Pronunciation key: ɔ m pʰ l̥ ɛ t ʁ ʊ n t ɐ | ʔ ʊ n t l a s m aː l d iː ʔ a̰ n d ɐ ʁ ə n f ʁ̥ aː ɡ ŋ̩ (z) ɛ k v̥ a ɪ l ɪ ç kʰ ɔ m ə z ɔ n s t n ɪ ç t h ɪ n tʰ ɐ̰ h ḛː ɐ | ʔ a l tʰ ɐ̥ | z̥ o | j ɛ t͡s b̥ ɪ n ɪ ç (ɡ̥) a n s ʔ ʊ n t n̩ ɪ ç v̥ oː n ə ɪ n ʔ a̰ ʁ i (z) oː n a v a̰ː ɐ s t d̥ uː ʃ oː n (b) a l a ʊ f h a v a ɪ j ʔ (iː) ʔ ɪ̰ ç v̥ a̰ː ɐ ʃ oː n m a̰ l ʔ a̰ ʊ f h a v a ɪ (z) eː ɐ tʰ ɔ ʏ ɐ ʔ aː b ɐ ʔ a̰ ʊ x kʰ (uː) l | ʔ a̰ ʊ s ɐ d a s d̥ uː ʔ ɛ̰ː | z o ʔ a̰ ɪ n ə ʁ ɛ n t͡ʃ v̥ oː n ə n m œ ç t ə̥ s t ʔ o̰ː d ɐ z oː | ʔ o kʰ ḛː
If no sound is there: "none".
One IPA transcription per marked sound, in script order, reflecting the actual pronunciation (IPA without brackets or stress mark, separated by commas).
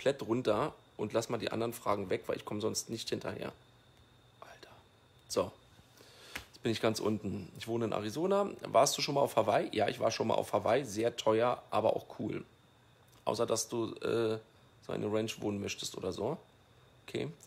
v, ɡ̥, z, m, aː, z, uː